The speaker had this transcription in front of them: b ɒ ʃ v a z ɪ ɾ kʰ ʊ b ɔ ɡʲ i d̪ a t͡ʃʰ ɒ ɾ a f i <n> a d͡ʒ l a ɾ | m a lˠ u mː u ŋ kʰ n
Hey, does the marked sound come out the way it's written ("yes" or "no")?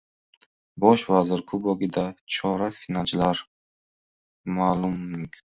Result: yes